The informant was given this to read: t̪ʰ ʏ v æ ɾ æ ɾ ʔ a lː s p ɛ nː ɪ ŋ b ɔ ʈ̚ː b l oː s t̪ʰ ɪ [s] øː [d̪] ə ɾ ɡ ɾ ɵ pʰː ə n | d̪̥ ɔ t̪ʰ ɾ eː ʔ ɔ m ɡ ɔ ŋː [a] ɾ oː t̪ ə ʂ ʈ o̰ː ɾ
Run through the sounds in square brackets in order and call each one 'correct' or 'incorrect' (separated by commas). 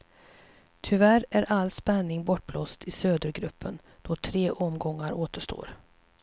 correct, correct, correct